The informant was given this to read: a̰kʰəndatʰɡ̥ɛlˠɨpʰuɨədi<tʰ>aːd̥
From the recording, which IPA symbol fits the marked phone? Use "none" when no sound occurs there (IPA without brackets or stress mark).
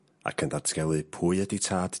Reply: tʰ